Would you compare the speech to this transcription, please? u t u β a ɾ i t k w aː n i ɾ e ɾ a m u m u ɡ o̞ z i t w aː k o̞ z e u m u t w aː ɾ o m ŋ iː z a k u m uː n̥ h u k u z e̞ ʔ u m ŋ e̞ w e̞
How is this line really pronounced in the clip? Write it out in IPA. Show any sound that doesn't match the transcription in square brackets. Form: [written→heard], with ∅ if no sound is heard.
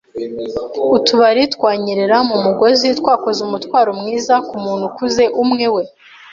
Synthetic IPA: u t u β a ɾ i t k w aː [n→ɲ] i ɾ e ɾ a m u m u ɡ o̞ z i t w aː k o̞ z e u m u t w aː ɾ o m ŋ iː z a k u m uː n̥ h u k u z e̞ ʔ u m ŋ e̞ w e̞